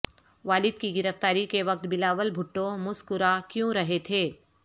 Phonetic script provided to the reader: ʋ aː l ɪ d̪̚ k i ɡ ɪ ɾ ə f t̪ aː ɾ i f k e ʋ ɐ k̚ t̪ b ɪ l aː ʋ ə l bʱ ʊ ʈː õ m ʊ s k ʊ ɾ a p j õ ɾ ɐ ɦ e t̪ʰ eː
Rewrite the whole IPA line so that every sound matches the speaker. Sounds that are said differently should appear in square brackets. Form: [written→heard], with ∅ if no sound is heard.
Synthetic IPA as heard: ʋ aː l ɪ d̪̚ k i ɡ ɪ ɾ ə f t̪ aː ɾ i [f→∅] k e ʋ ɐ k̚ t̪ b ɪ l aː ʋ ə l bʱ ʊ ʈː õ m ʊ s k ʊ ɾ a [p→k] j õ ɾ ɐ ɦ e t̪ʰ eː